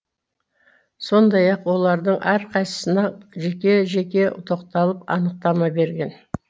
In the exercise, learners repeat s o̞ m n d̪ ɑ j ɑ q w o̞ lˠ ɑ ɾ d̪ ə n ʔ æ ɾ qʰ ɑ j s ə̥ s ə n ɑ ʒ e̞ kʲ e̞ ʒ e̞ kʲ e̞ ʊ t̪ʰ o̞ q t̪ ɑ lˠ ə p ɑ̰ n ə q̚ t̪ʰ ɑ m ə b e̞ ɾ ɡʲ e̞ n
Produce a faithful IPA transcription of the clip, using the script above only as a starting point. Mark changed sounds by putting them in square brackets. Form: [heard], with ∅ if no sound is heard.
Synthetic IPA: s o̞ [∅] n d̪ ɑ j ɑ q w o̞ lˠ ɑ ɾ d̪ ə [ɴ] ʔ æ ɾ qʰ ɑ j s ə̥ s ə n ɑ ʒ e̞ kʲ e̞ ʒ e̞ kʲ e̞ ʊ t̪ʰ o̞ q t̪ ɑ lˠ ə p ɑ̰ n ə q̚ [t̪] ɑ m [ɑ] b e̞ ɾ ɡʲ e̞ n